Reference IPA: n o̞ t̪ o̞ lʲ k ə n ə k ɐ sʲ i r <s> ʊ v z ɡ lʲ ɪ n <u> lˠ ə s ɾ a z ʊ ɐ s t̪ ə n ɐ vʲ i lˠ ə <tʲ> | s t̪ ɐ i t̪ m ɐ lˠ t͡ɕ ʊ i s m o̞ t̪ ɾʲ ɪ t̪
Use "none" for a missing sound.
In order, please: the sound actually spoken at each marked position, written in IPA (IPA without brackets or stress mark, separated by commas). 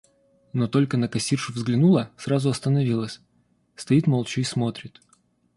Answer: ʂ, u, sʲ